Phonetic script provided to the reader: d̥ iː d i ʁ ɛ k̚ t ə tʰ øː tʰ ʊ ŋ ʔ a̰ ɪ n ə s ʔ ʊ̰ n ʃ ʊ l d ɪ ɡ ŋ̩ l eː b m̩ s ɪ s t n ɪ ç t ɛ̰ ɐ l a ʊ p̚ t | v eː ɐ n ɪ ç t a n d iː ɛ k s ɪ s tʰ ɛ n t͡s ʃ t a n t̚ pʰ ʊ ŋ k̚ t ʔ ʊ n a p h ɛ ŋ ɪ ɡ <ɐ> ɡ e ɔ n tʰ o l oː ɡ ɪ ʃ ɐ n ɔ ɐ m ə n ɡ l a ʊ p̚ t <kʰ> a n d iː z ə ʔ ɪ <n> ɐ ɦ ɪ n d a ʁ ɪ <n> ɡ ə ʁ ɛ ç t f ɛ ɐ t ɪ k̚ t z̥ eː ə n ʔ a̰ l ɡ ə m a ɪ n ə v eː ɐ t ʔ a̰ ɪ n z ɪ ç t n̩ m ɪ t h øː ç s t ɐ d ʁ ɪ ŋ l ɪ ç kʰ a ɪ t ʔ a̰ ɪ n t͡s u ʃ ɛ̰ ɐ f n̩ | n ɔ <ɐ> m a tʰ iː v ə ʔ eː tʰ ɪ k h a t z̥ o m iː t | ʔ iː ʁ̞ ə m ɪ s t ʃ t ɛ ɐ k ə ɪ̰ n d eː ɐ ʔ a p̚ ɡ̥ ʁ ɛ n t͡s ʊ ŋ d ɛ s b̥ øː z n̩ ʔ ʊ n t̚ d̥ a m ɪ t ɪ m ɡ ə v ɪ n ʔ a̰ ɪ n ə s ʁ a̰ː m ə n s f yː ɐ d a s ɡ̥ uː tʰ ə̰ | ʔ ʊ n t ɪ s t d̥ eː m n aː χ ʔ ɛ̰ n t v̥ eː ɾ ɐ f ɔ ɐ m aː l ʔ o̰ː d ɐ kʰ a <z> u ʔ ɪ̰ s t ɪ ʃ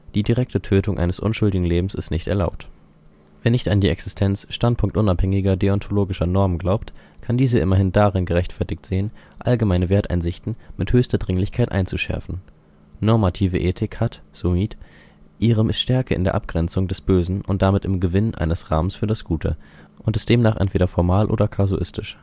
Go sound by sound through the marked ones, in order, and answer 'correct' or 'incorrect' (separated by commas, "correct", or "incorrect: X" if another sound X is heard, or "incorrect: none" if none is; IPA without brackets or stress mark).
correct, correct, incorrect: m, correct, correct, correct